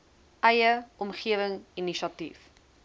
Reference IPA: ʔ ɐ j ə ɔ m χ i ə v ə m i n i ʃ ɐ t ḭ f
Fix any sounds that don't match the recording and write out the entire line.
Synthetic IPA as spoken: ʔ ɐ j ə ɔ m χ i ə v ə ŋ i n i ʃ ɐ t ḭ f